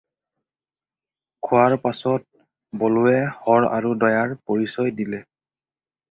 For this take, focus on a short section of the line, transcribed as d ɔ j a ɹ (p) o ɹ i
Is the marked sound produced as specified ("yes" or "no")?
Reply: yes